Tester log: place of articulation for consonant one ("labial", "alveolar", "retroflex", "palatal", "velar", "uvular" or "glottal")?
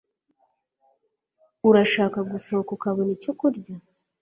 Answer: alveolar